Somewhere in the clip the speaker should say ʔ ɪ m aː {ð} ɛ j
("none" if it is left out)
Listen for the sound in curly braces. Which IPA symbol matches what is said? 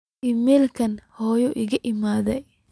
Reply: ð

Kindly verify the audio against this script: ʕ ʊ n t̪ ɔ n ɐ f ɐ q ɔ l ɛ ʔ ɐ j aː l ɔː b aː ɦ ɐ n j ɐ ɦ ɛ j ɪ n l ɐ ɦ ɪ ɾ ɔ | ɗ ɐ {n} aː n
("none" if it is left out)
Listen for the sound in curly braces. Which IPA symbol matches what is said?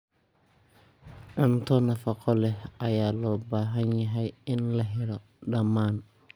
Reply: m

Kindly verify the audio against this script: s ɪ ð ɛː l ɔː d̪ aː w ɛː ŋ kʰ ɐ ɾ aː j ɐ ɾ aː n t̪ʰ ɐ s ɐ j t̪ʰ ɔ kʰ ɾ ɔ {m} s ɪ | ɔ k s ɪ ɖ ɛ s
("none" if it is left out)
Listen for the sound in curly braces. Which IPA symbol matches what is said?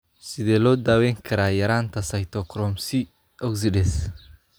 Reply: m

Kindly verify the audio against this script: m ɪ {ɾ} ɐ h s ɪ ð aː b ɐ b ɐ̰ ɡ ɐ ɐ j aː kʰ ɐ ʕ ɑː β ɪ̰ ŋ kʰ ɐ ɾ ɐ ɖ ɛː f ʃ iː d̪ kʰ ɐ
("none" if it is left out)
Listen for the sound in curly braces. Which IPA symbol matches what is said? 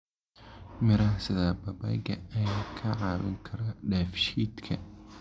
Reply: ɾ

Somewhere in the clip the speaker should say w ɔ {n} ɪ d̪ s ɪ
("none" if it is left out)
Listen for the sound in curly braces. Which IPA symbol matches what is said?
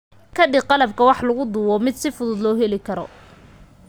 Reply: m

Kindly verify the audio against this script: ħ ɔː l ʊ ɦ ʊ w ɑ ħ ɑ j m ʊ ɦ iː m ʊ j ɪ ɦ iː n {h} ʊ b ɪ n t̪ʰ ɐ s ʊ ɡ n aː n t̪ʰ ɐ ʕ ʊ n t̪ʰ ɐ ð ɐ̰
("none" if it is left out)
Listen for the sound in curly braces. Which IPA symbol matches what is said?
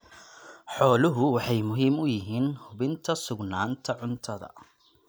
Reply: h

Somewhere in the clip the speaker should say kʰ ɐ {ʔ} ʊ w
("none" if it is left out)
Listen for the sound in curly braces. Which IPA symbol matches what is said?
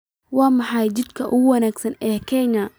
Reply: ʔ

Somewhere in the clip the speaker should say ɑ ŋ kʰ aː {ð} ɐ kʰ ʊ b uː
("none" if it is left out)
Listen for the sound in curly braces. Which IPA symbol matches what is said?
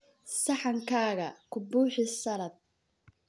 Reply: ɣ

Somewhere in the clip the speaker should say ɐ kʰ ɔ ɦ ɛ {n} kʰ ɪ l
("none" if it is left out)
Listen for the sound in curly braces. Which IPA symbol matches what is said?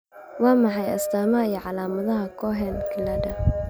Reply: n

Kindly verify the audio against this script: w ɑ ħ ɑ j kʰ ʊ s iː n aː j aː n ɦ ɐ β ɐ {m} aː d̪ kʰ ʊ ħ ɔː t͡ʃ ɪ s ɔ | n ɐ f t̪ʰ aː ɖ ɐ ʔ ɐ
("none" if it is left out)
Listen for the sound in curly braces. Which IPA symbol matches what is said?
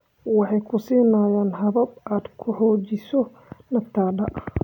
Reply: b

